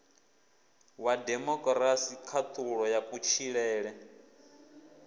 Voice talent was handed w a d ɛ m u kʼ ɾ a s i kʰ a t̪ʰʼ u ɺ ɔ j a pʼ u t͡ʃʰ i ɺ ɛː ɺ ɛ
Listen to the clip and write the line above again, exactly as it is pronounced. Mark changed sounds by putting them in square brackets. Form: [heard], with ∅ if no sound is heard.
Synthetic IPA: w a d ɛ m [ɔ] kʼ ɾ a s i kʰ a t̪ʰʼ u ɺ ɔ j a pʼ u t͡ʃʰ i ɺ ɛː ɺ ɛ